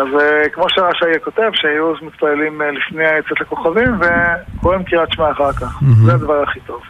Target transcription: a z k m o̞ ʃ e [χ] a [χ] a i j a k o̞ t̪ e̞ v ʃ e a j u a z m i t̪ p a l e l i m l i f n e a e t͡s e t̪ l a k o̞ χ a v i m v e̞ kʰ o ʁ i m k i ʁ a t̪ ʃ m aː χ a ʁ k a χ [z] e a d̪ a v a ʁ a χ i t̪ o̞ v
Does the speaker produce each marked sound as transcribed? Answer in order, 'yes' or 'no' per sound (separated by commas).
no, no, yes